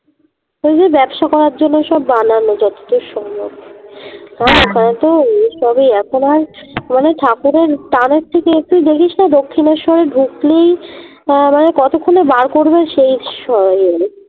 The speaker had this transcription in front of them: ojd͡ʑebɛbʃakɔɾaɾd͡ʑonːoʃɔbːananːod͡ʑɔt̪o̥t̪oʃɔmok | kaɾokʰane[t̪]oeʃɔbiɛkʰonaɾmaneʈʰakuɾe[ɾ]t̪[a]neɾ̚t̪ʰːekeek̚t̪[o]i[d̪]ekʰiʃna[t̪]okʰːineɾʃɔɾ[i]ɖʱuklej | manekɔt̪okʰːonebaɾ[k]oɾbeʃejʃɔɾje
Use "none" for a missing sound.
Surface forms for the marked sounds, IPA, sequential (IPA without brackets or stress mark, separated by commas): t̪, ɾ, a, u, d̪, d̪, e, k